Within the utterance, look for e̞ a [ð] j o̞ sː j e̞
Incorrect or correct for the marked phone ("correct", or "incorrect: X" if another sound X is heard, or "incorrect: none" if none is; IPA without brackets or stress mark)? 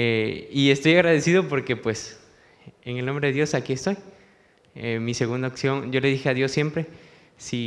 correct